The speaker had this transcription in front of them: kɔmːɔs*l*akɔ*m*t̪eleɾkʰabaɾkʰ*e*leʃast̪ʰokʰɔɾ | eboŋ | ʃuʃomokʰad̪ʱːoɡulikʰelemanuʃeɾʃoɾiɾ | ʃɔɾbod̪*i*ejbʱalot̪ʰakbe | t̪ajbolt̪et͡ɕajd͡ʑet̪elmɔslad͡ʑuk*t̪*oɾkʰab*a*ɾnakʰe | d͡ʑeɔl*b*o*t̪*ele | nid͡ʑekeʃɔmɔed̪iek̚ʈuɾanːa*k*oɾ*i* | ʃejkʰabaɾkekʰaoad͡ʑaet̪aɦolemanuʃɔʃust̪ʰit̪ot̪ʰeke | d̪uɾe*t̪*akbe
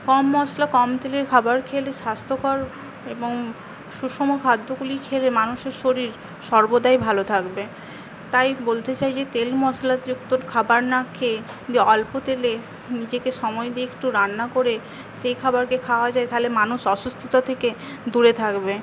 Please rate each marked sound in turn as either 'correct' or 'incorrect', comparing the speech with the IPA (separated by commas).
correct, correct, correct, incorrect, correct, correct, incorrect, correct, correct, incorrect, incorrect